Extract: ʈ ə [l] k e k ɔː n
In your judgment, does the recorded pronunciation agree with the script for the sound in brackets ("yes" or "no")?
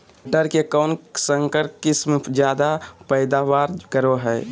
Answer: no